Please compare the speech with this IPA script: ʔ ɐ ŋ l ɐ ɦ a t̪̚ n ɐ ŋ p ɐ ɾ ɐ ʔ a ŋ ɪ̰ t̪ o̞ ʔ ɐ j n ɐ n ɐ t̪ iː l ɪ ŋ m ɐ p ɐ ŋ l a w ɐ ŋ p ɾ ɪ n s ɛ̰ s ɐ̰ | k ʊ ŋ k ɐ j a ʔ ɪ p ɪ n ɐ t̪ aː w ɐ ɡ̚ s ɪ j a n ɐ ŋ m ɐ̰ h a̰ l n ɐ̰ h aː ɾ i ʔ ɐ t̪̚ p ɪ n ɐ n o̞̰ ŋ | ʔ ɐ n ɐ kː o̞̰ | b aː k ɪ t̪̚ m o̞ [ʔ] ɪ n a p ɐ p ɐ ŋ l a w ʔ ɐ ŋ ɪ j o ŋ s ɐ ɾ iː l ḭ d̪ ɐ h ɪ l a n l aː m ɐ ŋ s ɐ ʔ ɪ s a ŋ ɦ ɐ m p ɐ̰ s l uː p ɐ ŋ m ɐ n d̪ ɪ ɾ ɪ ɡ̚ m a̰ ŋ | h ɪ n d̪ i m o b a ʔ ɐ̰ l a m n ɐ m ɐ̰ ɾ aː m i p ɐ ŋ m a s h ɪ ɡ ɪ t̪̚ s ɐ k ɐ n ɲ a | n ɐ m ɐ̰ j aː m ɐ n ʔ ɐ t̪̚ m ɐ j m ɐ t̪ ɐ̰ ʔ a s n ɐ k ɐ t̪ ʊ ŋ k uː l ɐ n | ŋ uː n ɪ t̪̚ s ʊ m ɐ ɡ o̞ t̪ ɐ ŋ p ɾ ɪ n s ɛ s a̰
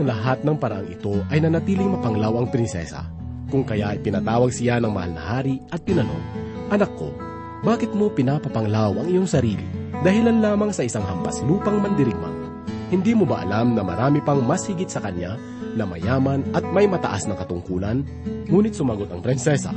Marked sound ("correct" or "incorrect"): incorrect